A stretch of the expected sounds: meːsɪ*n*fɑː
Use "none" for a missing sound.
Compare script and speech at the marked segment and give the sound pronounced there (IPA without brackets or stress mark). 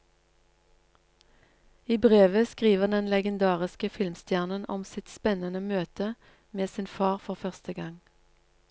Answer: n